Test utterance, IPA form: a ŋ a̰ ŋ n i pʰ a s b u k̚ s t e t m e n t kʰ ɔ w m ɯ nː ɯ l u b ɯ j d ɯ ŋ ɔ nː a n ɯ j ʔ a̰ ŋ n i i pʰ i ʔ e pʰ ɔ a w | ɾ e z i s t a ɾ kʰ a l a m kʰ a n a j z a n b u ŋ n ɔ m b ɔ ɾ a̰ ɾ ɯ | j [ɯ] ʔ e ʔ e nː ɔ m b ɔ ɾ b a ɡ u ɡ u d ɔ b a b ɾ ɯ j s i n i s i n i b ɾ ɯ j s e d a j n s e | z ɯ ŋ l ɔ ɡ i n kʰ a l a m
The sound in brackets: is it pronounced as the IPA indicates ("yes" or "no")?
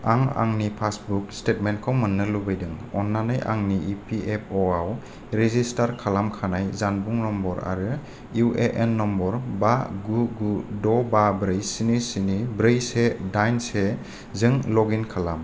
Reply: no